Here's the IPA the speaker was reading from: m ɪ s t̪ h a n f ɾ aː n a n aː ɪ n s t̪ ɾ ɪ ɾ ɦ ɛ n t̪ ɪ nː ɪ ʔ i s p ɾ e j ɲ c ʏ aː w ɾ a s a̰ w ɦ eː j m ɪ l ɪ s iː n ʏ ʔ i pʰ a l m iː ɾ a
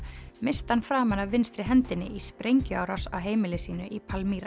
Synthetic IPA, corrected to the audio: m ɪ s t̪ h a n f ɾ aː m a n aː ɪ n s t̪ ɾ ɪ ɦ ɛ n t̪ ɪ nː ɪ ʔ i s p ɾ e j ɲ c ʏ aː w ɾ a s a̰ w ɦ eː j m ɪ l ɪ s iː n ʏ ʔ i pʰ a l m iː ɾ a